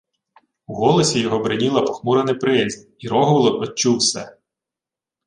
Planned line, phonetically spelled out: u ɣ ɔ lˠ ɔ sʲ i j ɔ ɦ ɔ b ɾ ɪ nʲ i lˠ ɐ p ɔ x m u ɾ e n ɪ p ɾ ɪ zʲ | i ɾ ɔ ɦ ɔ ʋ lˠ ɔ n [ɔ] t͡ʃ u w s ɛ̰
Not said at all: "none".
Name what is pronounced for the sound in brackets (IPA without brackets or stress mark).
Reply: ɔ